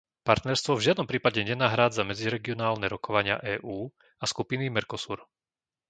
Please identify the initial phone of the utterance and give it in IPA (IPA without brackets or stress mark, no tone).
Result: p